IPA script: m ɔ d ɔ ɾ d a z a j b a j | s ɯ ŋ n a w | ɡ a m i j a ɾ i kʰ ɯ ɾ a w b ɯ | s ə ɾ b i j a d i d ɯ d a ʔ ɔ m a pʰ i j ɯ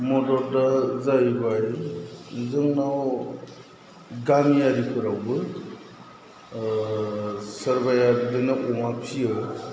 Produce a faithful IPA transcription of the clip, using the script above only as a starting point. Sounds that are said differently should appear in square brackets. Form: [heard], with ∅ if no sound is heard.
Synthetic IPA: m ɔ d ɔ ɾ d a z a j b a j | [z] ɯ ŋ n a w | ɡ a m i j a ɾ i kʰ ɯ ɾ a w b ɯ | s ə ɾ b [a] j a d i d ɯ [n] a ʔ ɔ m a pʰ i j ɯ